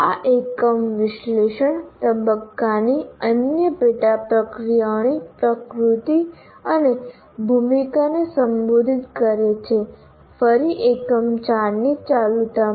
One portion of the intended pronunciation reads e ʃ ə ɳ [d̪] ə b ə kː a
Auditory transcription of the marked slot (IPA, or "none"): t̪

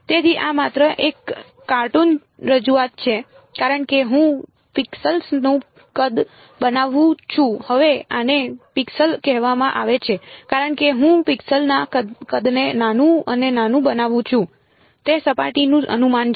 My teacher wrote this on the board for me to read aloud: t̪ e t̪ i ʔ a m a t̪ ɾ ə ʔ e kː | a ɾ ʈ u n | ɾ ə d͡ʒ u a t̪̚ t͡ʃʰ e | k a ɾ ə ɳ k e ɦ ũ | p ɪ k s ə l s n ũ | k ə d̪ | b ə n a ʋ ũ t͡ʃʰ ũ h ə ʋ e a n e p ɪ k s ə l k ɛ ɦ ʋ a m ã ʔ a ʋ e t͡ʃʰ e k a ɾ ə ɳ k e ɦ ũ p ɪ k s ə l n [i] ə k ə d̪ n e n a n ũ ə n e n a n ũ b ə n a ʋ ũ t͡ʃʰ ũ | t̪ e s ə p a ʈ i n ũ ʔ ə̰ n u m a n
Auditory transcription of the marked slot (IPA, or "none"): a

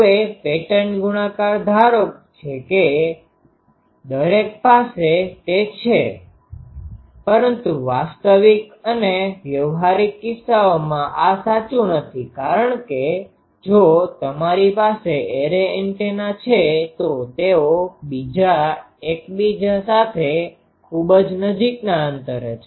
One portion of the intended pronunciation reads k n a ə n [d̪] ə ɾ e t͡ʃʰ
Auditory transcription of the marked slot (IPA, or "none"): t̪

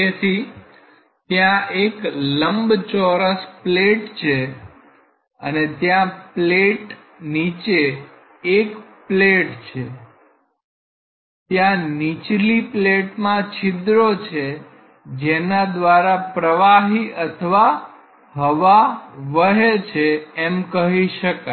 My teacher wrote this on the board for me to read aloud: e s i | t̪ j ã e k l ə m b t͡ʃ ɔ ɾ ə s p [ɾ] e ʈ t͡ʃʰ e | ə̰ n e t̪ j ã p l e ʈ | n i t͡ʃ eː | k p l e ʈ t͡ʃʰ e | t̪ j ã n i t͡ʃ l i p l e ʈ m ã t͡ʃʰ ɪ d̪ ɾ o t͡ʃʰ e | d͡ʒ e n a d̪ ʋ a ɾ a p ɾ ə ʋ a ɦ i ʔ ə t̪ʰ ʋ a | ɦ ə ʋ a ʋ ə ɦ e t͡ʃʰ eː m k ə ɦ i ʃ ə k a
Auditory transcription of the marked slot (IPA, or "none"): l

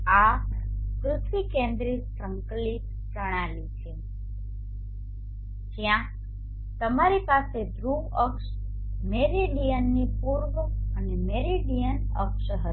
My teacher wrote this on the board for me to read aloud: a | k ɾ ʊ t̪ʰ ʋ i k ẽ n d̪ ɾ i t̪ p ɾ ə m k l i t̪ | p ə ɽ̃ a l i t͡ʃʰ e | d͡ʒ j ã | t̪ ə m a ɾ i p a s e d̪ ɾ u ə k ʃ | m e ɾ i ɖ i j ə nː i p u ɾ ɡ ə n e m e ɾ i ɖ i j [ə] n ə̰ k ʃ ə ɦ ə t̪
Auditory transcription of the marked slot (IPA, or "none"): ə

